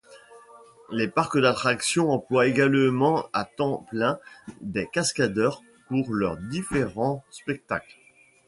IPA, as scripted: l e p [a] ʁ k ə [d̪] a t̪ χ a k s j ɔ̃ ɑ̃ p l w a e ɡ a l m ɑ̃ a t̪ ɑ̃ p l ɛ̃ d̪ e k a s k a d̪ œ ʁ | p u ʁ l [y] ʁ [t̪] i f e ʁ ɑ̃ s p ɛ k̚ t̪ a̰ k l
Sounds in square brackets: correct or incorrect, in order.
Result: correct, correct, incorrect, incorrect

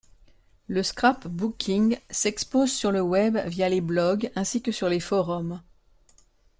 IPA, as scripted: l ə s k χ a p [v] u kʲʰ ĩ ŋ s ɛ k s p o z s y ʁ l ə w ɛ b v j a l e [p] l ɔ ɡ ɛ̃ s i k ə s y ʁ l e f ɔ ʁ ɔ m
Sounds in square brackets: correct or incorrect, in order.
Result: incorrect, incorrect

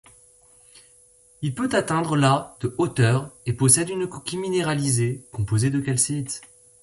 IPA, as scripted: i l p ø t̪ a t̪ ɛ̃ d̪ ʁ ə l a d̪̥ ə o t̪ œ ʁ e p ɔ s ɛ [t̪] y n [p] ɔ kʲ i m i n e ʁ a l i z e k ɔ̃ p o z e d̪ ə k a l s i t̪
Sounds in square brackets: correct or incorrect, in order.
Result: incorrect, incorrect

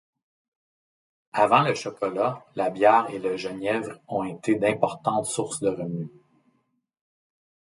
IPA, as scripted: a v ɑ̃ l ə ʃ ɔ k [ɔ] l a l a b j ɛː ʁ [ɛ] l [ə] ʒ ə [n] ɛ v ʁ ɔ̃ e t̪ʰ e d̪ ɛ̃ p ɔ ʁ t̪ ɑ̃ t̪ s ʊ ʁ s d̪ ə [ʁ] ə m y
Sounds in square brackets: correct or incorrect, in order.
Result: correct, incorrect, correct, correct, correct

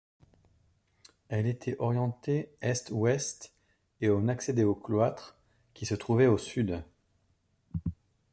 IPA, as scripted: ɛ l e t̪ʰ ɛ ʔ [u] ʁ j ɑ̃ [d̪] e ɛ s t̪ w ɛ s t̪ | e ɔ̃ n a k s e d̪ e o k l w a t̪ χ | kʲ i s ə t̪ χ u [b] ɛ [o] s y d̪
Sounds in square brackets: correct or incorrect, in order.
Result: incorrect, incorrect, incorrect, correct

